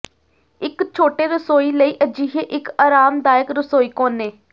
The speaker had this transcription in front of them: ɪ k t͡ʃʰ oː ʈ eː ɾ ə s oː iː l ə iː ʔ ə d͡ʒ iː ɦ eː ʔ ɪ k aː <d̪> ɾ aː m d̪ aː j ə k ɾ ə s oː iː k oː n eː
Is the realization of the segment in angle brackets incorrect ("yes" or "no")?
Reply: yes